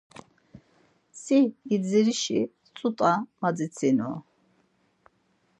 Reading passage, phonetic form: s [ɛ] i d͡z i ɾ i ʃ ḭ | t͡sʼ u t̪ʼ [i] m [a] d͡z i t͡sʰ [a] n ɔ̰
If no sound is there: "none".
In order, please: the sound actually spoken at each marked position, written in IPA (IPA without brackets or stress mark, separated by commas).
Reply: i, a, a, i